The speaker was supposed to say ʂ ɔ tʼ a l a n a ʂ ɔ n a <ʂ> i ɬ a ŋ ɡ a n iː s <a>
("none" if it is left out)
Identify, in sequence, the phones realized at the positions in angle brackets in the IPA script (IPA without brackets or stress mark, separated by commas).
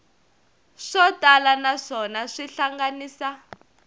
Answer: ʂ, a